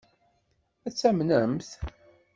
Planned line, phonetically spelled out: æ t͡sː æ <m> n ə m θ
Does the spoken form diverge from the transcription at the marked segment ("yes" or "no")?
no